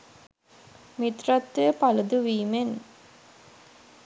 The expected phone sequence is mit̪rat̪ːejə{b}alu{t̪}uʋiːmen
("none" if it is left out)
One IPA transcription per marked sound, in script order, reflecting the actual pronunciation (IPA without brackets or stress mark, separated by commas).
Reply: p, d̪